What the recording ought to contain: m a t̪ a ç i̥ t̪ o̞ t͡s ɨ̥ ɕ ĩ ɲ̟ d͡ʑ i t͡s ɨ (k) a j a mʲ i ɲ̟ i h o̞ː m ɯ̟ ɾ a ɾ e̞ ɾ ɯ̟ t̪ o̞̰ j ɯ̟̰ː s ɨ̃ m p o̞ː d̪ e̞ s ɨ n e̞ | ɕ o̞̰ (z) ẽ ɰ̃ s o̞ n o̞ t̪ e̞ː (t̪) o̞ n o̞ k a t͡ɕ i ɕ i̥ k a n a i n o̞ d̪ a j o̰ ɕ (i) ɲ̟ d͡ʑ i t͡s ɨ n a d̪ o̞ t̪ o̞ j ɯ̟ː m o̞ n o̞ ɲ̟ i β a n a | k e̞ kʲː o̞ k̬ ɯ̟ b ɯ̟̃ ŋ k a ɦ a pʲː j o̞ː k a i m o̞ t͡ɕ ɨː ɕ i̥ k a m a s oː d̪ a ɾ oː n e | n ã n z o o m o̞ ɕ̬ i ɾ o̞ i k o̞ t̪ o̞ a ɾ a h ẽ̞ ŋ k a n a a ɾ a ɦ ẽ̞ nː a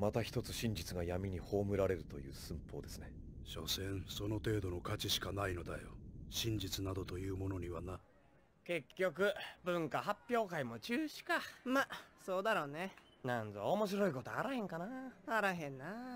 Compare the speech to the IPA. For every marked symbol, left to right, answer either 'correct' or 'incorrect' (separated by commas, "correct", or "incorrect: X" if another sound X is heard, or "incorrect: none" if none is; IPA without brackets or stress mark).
incorrect: ɡ, incorrect: s, incorrect: d̪, incorrect: ĩ